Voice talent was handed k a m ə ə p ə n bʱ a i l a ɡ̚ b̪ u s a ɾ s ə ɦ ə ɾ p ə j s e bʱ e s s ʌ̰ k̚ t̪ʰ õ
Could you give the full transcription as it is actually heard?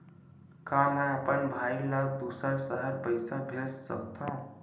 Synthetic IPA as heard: k a m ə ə p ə n bʱ a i l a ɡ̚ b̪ u s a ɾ s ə ɦ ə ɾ p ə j s a bʱ e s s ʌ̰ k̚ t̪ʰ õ

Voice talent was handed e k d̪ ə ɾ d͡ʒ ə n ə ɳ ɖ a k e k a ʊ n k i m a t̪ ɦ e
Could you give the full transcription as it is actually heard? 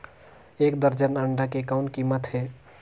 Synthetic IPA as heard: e k d̪ ə ɾ d͡ʒ ə n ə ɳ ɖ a k e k a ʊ n k i m ə t̪ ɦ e

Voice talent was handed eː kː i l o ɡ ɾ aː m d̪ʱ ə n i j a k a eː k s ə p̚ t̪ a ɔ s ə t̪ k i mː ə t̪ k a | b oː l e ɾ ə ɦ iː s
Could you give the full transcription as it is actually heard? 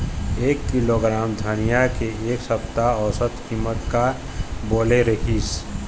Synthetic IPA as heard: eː kː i l o ɡ ɾ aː m d̪ʱ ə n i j a k e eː k s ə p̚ t̪ a ɔ s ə t̪ k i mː ə t̪ k a | b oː l e ɾ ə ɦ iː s

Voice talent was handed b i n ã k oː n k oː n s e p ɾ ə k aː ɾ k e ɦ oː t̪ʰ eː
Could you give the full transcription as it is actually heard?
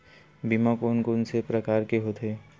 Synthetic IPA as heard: b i m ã k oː n k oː n s e p ɾ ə k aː ɾ k e ɦ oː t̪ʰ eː

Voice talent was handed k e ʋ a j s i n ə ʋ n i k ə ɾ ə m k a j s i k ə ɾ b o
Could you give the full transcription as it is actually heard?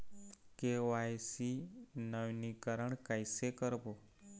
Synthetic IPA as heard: k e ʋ a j s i n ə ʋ n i k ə ɾ ə ɳ k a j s e k ə ɾ b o

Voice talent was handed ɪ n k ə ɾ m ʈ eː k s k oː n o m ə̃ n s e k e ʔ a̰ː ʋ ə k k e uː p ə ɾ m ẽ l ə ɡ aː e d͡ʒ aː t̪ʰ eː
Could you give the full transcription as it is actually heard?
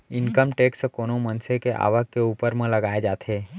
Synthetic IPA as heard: ɪ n k ə m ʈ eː k s k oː n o m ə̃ n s e k e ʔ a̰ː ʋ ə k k e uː p ə ɾ m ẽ l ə ɡ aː e d͡ʒ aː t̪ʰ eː

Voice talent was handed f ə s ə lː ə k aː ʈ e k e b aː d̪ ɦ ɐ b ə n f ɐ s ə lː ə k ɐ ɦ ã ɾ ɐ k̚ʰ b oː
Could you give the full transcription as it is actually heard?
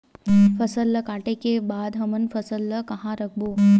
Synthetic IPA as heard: f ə s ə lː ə k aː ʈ e k e b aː d̪ ɦ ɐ m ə n f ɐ s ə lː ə k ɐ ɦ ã ɾ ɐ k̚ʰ b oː

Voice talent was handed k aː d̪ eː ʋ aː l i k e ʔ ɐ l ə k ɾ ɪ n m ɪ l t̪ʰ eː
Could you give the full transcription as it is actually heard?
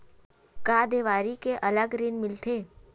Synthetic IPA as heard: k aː d̪ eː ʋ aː ɾ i k e ʔ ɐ l ə ɡ ɾ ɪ n m ɪ l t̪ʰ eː

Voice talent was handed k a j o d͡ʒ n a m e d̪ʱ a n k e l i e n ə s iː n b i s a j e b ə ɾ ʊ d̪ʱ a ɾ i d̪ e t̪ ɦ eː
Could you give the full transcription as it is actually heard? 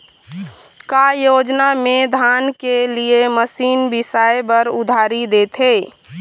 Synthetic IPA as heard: k a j o d͡ʒ n a m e d̪ʱ a n k e l i e m ə s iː n b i s a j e b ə ɾ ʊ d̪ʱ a ɾ i d̪ e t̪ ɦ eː

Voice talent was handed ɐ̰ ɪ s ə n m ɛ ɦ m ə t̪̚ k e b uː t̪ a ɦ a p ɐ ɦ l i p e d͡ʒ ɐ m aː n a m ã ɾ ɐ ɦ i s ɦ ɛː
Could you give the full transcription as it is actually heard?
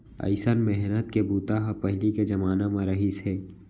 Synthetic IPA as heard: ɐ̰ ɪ s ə n m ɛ ɦ n ə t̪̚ k e b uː t̪ a ɦ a p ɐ ɦ l i k e d͡ʒ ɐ m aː n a m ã ɾ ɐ ɦ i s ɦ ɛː

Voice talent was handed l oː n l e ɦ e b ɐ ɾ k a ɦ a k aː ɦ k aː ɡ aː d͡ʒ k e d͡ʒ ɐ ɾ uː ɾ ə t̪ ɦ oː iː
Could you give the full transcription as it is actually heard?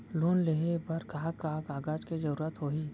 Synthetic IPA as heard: l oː n l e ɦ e b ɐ ɾ k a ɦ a k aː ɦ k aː ɡ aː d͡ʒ k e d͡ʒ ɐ ɾ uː ɾ ə t̪ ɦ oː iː

